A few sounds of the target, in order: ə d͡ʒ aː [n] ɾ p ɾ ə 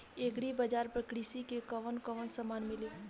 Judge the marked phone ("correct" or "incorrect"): incorrect